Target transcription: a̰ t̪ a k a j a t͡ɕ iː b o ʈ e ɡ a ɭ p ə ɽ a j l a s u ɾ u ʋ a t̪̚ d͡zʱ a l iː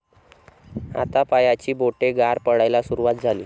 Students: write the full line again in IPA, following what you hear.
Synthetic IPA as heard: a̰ t̪ a p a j a t͡ɕ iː b o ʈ e ɡ a ɾ p ə ɽ a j l a s u ɾ u ʋ a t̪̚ d͡zʱ a l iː